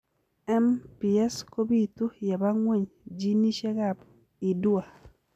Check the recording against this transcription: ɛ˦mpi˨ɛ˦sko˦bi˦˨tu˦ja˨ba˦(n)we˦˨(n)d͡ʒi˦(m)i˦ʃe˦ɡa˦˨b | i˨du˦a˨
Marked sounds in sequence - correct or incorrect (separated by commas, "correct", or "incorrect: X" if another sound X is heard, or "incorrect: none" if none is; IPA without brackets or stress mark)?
incorrect: ŋ, incorrect: ɲ, incorrect: n